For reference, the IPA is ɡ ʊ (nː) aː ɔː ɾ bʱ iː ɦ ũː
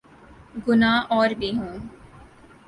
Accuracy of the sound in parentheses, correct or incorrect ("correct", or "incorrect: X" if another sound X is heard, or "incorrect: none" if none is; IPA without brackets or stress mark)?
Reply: incorrect: n